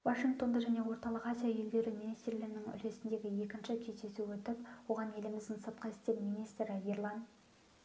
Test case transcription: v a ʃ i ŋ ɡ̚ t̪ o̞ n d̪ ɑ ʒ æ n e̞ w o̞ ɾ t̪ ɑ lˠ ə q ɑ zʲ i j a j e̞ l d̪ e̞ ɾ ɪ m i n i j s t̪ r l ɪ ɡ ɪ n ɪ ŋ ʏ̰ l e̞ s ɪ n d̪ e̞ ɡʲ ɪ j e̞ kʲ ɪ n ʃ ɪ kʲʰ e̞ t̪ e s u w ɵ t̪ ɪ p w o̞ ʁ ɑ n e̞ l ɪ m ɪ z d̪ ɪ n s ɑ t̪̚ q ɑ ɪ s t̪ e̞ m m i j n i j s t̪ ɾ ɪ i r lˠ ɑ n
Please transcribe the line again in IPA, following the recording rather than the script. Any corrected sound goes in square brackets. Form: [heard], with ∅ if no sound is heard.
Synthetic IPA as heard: v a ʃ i ŋ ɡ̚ t̪ o̞ n d̪ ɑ ʒ æ n e̞ w o̞ ɾ t̪ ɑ lˠ ə q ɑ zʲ i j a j e̞ l d̪ e̞ ɾ ɪ m i n i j s t̪ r l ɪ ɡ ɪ n ɪ ŋ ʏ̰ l e̞ s ɪ n d̪ e̞ ɡʲ ɪ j e̞ kʲ ɪ n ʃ ɪ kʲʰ e̞ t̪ e s u w ɵ t̪ ɪ p w o̞ ʁ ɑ n e̞ l ɪ m ɪ z d̪ ɪ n s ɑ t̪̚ q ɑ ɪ s t̪ e̞ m m i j n i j s t̪ ɾ ɪ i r lˠ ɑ n

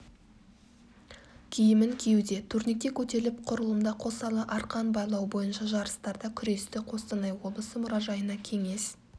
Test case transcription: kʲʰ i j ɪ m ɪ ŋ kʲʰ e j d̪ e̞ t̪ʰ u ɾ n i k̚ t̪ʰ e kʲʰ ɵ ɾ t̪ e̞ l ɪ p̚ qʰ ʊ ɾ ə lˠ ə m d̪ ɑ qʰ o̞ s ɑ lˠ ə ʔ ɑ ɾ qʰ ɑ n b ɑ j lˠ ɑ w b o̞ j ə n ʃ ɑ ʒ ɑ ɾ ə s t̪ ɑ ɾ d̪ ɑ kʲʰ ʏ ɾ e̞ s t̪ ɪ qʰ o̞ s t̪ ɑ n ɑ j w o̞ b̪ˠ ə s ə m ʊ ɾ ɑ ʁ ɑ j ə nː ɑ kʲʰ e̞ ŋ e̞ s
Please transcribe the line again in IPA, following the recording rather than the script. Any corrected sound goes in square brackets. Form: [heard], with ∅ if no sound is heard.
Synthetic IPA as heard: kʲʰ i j ɪ m ɪ ŋ kʲʰ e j d̪ e̞ t̪ʰ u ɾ n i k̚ [t̪] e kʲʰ ɵ [∅] t̪ e̞ l ɪ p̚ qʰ ʊ ɾ ə lˠ ə m d̪ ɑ qʰ o̞ s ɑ lˠ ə ʔ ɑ ɾ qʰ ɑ n b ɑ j lˠ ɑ w b o̞ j ə n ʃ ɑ ʒ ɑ ɾ ə s t̪ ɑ ɾ d̪ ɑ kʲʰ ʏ ɾ e̞ s t̪ ɪ qʰ o̞ s t̪ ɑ n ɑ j w o̞ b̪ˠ ə s ə m ʊ ɾ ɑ [ʒ] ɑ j ə [n] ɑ kʲʰ e̞ ŋ e̞ s

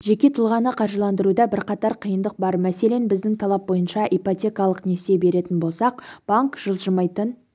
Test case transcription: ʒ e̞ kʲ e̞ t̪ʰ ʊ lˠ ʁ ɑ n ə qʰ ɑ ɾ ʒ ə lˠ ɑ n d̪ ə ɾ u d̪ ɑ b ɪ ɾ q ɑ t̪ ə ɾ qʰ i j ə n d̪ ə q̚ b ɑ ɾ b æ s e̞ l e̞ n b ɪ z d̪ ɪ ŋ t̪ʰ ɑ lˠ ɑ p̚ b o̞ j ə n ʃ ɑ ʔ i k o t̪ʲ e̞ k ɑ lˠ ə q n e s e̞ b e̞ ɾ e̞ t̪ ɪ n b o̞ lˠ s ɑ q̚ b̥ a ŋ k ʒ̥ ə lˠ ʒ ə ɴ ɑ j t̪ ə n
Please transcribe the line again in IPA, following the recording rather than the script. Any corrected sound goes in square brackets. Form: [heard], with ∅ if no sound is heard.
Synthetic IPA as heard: ʒ e̞ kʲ e̞ t̪ʰ ʊ lˠ ʁ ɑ n ə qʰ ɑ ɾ ʒ ə lˠ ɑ n d̪ ə ɾ u d̪ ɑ b ɪ ɾ q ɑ t̪ [ɑ] ɾ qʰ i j ə n d̪ ə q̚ b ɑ ɾ [m] æ s e̞ l e̞ n b ɪ z d̪ ɪ ŋ t̪ʰ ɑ lˠ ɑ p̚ b o̞ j ə n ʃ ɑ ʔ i [p] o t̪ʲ e̞ k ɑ lˠ ə q n e s e̞ b e̞ ɾ e̞ t̪ ɪ n b o̞ lˠ s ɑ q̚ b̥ a ŋ k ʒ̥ ə lˠ ʒ ə [m] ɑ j t̪ ə n

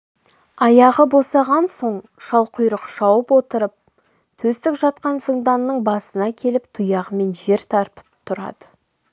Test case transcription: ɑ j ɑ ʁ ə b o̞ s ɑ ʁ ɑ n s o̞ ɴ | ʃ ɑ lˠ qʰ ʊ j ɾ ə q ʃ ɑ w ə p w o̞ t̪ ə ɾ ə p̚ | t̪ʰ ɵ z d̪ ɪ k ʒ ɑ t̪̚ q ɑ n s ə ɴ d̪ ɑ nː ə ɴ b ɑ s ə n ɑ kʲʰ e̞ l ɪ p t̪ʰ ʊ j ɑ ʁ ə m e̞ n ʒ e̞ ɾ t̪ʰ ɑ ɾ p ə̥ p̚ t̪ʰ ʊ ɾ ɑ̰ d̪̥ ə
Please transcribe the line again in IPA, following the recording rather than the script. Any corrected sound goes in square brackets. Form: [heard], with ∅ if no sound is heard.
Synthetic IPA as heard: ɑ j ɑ ʁ ə b o̞ s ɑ ʁ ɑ n s o̞ ɴ | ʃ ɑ lˠ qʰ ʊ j ɾ ə q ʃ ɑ w ə p w o̞ t̪ ə ɾ ə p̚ | t̪ʰ ɵ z [t̪] ɪ k ʒ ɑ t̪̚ q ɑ n s ə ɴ d̪ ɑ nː ə ɴ b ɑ s ə n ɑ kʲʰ e̞ l ɪ p t̪ʰ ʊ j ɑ ʁ ə m e̞ n ʒ e̞ ɾ t̪ʰ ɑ ɾ p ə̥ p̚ t̪ʰ ʊ ɾ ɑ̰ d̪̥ ə

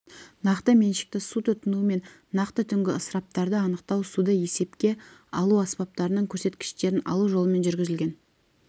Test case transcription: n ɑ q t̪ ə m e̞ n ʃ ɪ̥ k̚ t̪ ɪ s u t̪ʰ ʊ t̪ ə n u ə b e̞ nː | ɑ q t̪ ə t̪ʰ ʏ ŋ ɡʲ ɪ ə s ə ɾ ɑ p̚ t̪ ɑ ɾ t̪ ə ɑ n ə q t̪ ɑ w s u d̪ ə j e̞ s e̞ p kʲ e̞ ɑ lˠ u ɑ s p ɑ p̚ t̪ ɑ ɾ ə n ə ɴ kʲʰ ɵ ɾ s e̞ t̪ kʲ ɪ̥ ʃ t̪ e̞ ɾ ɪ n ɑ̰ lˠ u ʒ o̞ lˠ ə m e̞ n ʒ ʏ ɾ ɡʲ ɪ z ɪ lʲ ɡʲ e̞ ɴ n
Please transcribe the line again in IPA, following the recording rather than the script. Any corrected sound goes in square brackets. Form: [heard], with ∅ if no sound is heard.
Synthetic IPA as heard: n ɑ q t̪ ə m e̞ n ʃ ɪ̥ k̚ t̪ ɪ s u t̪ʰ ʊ t̪ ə n u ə [m] e̞ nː | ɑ q t̪ ə t̪ʰ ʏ ŋ ɡʲ ɪ ə s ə ɾ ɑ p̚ t̪ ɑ ɾ [d̪] ə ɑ n ə q t̪ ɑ w s u d̪ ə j e̞ s e̞ p kʲ e̞ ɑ lˠ u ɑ s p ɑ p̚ t̪ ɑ ɾ ə n ə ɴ kʲʰ ɵ ɾ s e̞ t̪ kʲ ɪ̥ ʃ t̪ e̞ ɾ ɪ n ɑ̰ lˠ u ʒ o̞ lˠ ə m e̞ n ʒ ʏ ɾ ɡʲ ɪ z ɪ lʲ ɡʲ e̞ [∅] n

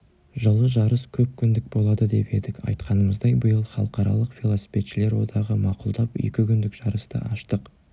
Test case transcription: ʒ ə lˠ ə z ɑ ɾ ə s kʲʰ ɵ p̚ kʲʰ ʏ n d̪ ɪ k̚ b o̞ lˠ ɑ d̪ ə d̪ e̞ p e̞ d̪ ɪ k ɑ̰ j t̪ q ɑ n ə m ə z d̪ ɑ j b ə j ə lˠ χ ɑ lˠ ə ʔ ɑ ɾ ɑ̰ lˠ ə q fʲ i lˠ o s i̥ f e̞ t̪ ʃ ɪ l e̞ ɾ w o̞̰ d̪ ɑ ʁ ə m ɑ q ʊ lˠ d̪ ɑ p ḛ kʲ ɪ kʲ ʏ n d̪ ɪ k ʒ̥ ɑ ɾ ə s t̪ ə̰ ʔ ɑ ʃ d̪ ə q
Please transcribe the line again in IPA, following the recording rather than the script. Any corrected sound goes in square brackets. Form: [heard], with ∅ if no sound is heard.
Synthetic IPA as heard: ʒ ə lˠ ə [ʒ] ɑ ɾ ə s kʲʰ ɵ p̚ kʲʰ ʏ n d̪ ɪ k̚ b o̞ lˠ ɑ d̪ ə d̪ e̞ p e̞ d̪ ɪ k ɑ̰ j t̪ q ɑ n ə m ə z d̪ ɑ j b ə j ə lˠ χ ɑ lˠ ə [q] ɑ ɾ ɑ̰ lˠ ə q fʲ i lˠ o s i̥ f e̞ t̪ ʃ ɪ l e̞ ɾ w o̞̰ d̪ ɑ ʁ ə m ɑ q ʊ lˠ d̪ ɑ p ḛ kʲ ɪ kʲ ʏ n d̪ ɪ k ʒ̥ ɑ ɾ ə s t̪ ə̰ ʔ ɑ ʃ [t̪] ə q

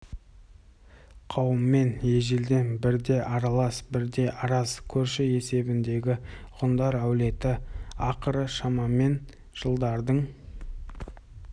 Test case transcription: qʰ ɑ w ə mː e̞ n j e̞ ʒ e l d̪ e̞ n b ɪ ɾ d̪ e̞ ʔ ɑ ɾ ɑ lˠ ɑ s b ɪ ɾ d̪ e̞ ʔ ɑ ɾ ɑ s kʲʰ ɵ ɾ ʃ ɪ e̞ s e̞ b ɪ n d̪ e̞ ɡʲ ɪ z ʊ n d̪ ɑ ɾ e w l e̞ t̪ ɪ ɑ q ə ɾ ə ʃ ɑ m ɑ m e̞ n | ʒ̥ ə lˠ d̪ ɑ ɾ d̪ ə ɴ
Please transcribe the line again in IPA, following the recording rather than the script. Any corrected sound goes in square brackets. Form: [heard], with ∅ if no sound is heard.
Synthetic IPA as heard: qʰ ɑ w ə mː e̞ n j e̞ ʒ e l d̪ e̞ n b ɪ ɾ d̪ e̞ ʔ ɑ ɾ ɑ lˠ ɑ s b ɪ ɾ d̪ e̞ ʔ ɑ ɾ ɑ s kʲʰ ɵ ɾ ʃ ɪ e̞ s e̞ b ɪ n d̪ e̞ ɡʲ ɪ [ʁ] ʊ n d̪ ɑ ɾ [æ] w l e̞ t̪ ɪ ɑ q ə ɾ ə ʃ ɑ m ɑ m e̞ n | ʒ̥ ə lˠ d̪ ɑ ɾ d̪ ə ɴ

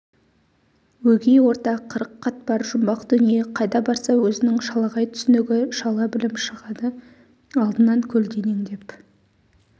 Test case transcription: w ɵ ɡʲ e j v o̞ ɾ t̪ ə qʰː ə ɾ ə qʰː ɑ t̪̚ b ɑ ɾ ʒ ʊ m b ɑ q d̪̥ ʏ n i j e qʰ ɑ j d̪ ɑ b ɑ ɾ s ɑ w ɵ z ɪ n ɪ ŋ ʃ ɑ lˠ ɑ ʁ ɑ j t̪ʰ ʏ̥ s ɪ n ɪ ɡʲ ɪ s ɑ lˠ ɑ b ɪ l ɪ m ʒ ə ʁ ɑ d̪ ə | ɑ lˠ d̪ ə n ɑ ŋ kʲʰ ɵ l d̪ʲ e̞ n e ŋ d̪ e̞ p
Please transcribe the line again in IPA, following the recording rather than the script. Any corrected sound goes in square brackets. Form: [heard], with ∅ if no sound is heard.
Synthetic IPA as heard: w ɵ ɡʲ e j [w] o̞ ɾ t̪ [ɑ] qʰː ə ɾ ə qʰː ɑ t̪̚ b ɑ ɾ ʒ ʊ m b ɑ q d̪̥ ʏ n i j e qʰ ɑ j d̪ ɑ b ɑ ɾ s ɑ w ɵ z ɪ n ɪ ŋ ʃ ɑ lˠ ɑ ʁ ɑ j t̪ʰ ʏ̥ s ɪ n ɪ ɡʲ ɪ [ʃ] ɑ lˠ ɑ b ɪ l ɪ m [ʃ] ə ʁ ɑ d̪ ə | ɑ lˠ d̪ ə n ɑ ŋ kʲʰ ɵ l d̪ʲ e̞ n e ŋ d̪ e̞ p

